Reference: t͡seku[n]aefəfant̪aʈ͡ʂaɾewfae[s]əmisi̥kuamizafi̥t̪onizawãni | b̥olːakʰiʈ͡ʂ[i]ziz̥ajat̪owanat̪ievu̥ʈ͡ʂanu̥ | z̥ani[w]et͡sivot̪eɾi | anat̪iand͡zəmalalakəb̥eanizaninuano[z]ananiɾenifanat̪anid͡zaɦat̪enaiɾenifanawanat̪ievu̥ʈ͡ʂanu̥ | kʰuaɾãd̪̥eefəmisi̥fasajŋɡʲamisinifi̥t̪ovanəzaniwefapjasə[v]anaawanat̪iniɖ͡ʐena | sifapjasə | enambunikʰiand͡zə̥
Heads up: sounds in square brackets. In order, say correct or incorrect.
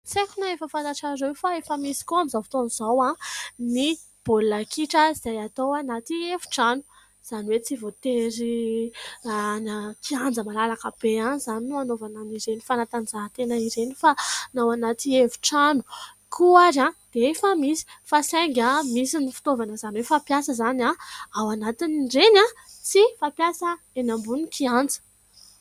correct, incorrect, incorrect, correct, incorrect, incorrect

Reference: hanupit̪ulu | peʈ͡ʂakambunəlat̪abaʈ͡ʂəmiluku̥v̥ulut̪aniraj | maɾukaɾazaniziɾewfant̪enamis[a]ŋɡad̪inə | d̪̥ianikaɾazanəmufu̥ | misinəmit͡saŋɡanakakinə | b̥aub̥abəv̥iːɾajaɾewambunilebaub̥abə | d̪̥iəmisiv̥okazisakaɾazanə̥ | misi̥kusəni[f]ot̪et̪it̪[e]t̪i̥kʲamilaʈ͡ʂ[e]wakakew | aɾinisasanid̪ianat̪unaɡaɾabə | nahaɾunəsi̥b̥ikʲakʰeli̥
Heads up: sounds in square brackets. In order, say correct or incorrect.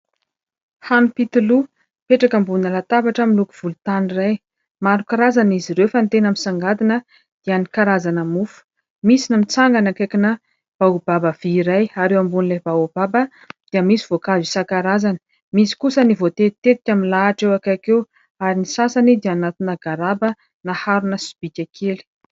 correct, incorrect, correct, correct

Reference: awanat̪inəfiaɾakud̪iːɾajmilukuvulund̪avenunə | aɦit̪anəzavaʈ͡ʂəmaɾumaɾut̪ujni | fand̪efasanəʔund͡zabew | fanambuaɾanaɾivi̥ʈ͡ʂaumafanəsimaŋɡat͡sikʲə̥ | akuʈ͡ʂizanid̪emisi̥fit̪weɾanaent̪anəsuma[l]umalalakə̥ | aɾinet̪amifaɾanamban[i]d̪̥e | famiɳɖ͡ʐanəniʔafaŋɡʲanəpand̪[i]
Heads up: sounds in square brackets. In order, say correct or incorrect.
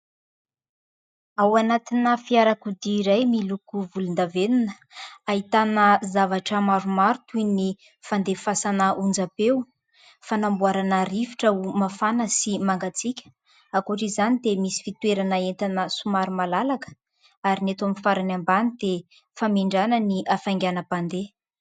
incorrect, correct, incorrect

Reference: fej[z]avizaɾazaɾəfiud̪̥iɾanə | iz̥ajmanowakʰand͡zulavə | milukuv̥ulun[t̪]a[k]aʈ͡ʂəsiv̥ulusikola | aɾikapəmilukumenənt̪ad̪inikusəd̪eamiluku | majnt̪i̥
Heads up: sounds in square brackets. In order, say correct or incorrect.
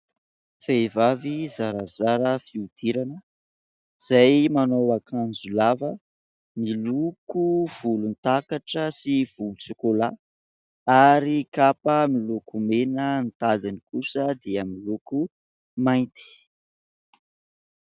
incorrect, correct, correct

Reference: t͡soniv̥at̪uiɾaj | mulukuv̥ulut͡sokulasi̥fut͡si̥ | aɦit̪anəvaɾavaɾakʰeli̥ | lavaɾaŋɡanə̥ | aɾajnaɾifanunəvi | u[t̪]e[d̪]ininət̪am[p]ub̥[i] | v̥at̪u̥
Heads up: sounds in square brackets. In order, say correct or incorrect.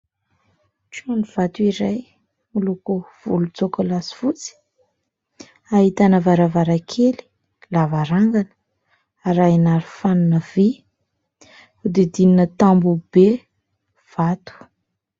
incorrect, correct, incorrect, incorrect

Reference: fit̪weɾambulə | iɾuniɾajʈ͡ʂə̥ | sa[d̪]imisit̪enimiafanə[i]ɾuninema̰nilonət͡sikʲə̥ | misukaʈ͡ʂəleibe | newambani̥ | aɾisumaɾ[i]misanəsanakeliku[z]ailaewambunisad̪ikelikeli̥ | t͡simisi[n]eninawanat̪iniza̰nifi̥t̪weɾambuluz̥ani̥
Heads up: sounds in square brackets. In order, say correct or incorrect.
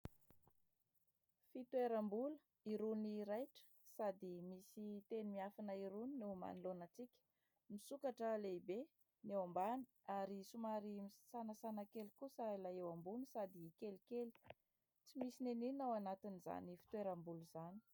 correct, correct, correct, incorrect, correct

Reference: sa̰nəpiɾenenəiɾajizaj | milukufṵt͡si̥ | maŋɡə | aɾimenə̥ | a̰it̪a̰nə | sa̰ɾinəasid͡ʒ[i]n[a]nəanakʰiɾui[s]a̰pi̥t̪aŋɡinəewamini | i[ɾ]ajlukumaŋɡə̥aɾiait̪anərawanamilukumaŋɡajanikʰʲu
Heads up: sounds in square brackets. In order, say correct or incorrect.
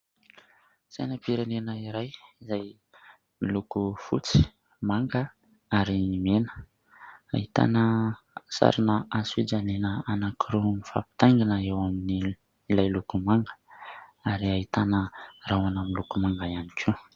incorrect, incorrect, incorrect, incorrect

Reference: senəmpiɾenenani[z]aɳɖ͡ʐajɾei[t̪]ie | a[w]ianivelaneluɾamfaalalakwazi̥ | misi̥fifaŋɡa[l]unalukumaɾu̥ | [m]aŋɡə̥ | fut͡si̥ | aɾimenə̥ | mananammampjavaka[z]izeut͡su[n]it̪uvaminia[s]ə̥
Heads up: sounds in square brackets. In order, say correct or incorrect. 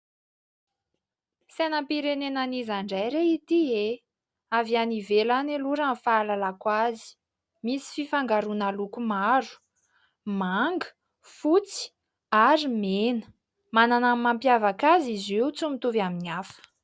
correct, correct, incorrect, incorrect, correct, correct, incorrect, incorrect

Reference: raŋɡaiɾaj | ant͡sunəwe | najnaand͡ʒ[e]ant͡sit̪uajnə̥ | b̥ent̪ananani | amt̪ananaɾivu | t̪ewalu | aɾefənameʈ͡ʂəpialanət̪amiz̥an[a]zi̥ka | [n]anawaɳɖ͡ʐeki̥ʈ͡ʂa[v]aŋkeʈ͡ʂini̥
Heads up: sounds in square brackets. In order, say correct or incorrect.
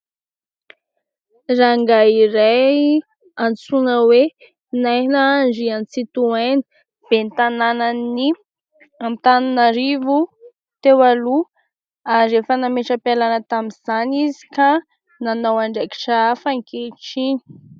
incorrect, incorrect, correct, incorrect

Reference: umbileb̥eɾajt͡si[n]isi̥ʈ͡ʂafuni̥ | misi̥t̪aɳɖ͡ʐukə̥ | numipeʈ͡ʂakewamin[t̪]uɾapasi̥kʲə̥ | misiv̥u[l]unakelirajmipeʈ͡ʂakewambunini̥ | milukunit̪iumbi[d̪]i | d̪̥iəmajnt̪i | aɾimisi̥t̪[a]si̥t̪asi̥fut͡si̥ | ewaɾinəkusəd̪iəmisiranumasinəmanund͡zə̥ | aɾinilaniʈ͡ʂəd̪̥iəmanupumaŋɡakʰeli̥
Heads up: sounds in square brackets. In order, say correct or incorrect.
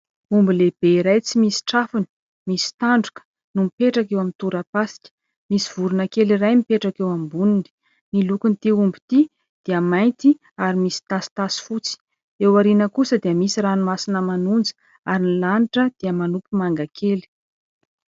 incorrect, correct, incorrect, incorrect, correct

